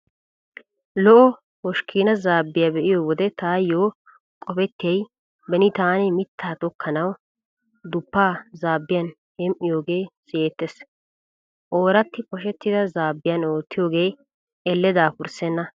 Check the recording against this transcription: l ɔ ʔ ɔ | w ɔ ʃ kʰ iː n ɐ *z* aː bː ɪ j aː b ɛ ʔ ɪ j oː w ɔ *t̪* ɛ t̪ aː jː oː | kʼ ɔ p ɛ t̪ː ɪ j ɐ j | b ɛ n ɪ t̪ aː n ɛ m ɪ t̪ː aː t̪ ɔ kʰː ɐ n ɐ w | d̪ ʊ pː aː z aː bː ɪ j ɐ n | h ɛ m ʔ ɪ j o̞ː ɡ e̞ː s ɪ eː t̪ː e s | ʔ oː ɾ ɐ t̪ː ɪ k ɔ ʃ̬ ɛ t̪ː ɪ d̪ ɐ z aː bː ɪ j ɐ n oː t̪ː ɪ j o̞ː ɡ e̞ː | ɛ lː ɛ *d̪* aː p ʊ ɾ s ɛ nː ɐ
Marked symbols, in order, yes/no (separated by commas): yes, no, yes